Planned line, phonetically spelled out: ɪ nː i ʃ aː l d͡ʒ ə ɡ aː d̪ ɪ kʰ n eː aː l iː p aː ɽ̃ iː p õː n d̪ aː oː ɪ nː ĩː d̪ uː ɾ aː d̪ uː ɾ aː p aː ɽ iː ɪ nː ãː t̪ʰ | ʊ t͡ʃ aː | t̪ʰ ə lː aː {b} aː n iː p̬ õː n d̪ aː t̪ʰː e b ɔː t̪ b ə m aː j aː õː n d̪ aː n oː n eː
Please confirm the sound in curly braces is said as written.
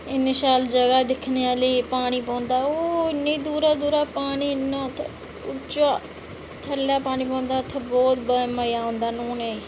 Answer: no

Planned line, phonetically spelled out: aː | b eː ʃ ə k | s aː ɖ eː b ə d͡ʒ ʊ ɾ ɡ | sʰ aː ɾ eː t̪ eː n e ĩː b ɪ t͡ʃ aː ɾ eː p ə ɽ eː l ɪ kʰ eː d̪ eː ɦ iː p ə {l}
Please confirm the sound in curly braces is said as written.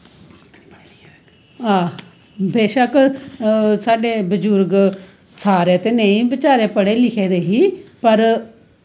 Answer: no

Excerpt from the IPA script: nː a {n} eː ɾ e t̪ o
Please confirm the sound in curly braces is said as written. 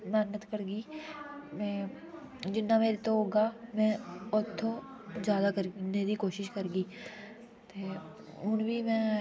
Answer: no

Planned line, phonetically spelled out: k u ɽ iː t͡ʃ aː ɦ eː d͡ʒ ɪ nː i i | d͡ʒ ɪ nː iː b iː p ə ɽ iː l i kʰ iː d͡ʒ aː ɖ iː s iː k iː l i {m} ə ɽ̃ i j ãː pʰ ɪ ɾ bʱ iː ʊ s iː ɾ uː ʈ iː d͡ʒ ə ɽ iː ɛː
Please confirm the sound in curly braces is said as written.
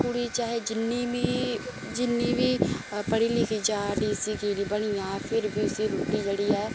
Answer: no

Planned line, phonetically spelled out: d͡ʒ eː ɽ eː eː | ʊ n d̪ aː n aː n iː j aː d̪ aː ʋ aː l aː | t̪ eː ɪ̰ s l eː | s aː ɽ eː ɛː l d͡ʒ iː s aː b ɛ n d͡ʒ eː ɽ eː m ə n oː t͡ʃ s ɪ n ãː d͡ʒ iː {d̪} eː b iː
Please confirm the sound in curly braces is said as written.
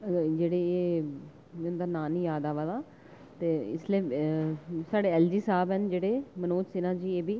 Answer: no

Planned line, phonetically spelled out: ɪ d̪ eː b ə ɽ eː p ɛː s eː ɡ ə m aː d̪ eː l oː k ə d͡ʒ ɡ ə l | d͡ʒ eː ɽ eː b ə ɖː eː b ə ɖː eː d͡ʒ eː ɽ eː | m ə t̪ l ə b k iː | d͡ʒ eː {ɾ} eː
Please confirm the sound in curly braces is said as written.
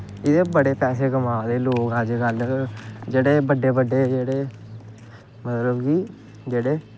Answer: no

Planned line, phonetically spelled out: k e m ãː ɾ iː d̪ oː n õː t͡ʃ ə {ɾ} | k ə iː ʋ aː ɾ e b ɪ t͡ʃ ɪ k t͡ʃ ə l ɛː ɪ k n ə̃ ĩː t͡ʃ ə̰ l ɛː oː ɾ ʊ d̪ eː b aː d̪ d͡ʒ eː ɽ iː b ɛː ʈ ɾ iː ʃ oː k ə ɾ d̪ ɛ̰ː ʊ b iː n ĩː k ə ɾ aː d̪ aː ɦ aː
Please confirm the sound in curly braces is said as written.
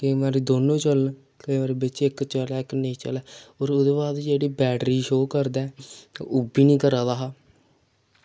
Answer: no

